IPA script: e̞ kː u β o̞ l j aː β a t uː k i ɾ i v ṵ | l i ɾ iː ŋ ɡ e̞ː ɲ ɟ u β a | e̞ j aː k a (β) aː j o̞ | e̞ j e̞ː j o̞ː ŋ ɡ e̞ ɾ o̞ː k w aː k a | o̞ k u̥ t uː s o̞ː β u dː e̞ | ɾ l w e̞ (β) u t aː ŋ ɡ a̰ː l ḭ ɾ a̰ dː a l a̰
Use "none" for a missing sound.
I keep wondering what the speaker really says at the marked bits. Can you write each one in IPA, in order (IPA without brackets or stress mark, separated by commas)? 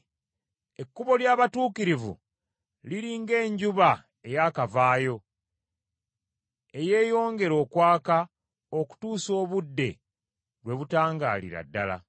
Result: v, β